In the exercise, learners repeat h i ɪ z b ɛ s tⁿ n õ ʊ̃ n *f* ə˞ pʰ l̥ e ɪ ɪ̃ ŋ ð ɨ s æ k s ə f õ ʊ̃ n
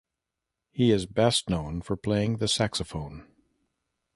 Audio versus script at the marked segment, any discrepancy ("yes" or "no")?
no